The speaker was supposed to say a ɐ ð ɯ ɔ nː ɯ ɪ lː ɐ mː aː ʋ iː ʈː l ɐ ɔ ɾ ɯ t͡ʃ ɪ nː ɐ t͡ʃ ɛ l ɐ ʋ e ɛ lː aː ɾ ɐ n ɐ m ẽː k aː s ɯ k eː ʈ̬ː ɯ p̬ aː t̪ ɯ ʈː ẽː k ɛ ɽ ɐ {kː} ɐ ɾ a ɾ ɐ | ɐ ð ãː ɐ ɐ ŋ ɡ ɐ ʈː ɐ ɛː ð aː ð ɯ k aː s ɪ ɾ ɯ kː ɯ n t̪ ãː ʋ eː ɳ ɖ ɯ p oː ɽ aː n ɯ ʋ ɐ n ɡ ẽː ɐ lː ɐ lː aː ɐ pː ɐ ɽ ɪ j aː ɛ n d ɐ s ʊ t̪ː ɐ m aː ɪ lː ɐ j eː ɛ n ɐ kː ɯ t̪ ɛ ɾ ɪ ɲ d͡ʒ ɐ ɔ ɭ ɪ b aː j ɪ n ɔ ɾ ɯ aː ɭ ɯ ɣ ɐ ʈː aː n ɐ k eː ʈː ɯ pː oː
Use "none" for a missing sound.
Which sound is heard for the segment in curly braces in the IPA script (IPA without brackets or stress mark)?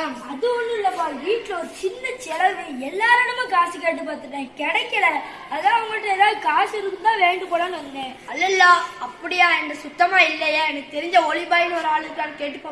kː